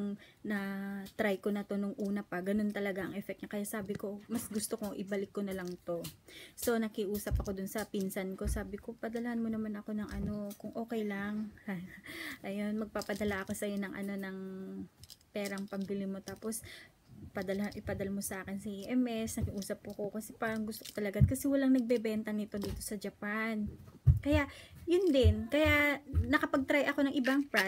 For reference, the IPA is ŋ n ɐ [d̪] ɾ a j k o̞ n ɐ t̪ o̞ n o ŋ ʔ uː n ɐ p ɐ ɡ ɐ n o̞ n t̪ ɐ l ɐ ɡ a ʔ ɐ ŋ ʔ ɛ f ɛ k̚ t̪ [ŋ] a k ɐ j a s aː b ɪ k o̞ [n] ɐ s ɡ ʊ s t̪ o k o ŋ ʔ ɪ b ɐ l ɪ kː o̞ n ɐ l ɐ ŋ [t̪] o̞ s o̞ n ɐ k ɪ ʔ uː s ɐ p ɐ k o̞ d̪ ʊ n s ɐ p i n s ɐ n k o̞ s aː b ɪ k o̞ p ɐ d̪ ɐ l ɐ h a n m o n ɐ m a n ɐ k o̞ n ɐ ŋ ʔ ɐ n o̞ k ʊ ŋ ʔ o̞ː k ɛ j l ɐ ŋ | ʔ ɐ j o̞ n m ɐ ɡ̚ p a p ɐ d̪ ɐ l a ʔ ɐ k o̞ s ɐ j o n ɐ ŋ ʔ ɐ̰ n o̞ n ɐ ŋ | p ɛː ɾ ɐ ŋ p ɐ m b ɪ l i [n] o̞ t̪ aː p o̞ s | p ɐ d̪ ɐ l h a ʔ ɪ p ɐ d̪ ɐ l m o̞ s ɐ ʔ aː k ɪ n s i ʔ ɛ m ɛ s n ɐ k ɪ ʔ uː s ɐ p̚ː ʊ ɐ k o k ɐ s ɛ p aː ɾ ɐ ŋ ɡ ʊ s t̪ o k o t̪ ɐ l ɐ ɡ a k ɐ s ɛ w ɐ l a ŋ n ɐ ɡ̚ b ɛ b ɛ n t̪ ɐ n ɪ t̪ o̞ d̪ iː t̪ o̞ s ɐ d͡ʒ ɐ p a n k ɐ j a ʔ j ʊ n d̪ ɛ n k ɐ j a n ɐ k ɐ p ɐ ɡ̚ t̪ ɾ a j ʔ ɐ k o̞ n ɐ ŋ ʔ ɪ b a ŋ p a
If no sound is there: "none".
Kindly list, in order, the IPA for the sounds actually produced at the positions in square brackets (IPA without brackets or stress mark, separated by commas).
t̪, ɲ, m, t̪, m